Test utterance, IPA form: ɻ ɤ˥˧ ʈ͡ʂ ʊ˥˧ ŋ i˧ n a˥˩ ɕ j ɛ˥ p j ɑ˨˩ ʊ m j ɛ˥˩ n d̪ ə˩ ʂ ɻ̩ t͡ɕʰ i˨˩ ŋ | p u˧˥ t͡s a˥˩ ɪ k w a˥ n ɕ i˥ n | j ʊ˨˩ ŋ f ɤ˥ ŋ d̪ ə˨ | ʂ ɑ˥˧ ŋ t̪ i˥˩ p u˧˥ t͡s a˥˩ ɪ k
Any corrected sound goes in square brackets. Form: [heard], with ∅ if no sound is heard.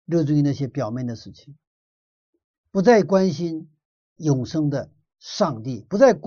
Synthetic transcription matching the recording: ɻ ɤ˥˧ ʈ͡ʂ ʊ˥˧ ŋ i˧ n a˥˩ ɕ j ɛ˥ p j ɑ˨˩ ʊ m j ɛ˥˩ n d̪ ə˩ ʂ ɻ̩ t͡ɕʰ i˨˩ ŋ | p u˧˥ t͡s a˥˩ ɪ k w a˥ n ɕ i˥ n | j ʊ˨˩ ŋ [ʂ] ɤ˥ ŋ d̪ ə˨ | ʂ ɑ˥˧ ŋ t̪ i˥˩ p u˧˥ t͡s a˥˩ ɪ k